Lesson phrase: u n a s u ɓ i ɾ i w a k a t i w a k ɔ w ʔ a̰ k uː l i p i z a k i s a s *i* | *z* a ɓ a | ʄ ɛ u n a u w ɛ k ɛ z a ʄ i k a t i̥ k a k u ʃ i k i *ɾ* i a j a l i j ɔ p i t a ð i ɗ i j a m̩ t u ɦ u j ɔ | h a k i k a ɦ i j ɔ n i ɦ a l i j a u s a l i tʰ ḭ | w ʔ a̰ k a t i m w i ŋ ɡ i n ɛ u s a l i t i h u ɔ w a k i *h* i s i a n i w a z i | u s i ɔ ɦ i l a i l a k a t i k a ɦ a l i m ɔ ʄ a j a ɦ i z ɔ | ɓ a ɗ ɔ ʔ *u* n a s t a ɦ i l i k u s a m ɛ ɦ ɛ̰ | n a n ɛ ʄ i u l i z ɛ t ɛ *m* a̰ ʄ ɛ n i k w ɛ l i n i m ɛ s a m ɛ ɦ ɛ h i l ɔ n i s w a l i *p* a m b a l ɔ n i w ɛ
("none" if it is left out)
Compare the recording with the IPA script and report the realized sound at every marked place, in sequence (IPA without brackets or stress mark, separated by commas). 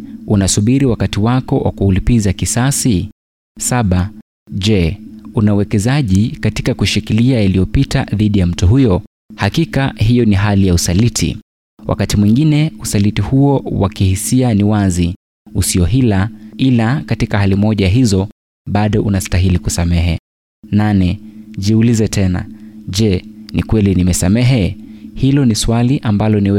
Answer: i, s, l, h, u, n, ʔ